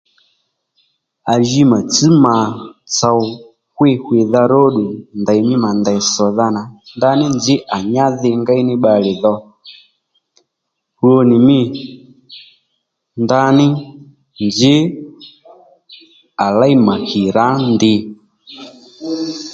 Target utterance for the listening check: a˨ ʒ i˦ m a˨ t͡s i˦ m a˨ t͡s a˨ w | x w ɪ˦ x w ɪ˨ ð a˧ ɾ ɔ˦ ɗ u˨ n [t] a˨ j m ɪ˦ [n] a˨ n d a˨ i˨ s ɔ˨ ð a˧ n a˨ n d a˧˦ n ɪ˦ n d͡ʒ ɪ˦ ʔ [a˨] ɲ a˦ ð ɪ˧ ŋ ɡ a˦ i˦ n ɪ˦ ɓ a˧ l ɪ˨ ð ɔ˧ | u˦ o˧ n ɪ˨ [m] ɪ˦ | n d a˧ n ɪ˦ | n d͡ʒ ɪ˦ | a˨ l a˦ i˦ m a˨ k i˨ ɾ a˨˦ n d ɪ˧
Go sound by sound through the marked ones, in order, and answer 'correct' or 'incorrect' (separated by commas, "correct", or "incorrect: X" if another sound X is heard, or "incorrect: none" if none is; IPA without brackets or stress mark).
incorrect: d, incorrect: m, correct, correct